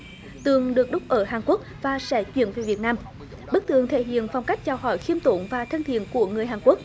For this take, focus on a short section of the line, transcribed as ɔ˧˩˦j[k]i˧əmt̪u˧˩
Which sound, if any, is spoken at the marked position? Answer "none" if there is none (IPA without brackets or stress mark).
x